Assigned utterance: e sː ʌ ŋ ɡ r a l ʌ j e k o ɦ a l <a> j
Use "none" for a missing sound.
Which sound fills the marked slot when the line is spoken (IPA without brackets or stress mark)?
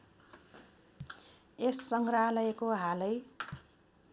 ʌ